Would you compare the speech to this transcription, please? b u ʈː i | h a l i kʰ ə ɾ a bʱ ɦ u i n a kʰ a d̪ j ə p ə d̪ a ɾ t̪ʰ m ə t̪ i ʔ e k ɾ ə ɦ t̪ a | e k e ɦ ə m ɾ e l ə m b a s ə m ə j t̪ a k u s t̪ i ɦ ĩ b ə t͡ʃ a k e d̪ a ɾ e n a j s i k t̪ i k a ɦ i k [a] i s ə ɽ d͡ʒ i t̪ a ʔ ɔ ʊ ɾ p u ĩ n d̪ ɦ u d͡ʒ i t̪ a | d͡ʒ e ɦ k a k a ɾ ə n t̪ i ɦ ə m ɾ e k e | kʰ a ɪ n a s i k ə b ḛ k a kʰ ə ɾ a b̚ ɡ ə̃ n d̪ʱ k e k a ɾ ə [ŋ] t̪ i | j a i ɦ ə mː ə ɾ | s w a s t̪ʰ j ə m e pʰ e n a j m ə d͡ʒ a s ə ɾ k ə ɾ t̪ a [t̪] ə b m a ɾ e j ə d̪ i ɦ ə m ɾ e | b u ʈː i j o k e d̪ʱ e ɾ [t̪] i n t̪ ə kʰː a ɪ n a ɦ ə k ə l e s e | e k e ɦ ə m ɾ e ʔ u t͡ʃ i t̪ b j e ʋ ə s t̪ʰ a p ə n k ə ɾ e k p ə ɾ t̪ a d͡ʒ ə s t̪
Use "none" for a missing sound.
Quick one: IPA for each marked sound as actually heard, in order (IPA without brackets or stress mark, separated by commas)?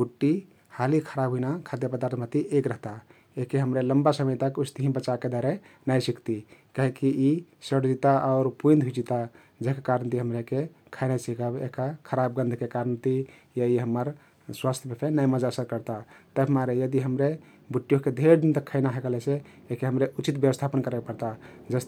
i, n, t̪, d̪